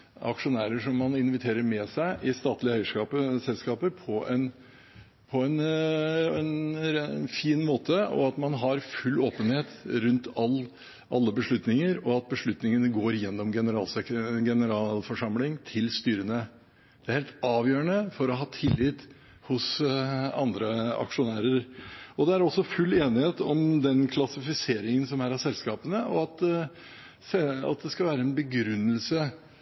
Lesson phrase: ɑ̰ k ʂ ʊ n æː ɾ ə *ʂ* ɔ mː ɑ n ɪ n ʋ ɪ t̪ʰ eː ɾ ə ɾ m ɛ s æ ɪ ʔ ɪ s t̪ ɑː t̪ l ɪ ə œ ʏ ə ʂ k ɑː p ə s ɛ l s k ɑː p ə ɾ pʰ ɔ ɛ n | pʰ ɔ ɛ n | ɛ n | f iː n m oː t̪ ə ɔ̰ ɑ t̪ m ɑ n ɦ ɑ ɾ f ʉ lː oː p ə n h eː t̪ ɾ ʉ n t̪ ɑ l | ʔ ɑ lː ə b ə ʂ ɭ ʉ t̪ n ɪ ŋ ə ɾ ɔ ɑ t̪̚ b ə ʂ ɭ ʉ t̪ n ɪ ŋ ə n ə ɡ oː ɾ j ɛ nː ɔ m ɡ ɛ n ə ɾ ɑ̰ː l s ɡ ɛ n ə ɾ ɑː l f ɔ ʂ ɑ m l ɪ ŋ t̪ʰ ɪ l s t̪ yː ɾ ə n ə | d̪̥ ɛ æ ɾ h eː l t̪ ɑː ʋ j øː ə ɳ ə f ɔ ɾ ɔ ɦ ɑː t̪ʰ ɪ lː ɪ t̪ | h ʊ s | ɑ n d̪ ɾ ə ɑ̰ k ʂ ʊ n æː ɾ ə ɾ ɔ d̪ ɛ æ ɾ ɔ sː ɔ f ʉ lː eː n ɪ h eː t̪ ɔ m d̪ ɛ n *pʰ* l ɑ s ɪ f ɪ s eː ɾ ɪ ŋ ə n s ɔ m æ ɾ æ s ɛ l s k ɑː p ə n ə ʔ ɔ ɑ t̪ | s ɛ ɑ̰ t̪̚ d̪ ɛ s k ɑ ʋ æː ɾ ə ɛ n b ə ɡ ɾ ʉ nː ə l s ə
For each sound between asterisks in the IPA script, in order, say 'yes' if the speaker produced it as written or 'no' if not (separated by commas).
yes, no